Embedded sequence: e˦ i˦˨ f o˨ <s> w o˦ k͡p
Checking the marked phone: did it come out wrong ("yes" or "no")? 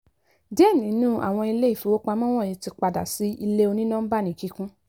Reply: yes